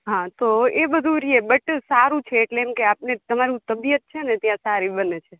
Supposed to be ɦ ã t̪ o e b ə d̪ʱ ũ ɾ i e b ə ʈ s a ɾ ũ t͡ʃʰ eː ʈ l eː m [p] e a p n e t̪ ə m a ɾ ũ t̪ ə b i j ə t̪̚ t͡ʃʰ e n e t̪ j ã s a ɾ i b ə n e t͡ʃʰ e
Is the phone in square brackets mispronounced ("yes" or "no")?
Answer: yes